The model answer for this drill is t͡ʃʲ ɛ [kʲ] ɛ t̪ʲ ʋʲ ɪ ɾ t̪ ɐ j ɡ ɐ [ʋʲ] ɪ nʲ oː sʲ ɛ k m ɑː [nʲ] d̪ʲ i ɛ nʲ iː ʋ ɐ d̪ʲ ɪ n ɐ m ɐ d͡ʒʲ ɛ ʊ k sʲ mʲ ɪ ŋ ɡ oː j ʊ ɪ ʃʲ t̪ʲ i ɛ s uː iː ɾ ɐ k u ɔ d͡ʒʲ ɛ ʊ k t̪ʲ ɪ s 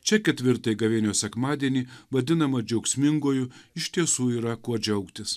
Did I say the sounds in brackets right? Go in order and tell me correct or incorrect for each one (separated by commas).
correct, correct, incorrect